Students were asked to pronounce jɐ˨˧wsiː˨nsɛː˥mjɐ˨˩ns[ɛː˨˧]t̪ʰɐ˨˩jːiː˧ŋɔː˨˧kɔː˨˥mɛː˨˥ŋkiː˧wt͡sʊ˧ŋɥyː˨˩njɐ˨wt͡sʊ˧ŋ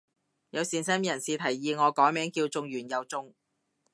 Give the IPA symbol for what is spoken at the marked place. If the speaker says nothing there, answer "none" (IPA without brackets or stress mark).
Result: iː˨˧